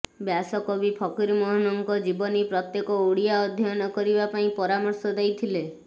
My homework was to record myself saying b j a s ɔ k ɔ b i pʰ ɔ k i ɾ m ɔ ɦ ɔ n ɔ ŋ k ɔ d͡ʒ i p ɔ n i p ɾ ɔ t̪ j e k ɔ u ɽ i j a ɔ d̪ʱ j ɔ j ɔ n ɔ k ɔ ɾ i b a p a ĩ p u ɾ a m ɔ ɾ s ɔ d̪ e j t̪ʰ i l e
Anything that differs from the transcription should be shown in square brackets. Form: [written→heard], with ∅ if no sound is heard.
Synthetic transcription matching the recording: b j a s ɔ k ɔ b i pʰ ɔ k i ɾ m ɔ ɦ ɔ n ɔ ŋ k ɔ d͡ʒ i [p→b] ɔ n i p ɾ ɔ t̪ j e k ɔ u ɽ i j a ɔ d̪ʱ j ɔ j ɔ n ɔ k ɔ ɾ i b a p a ĩ p [u→ɔ] ɾ a m ɔ ɾ s ɔ d̪ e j t̪ʰ i l e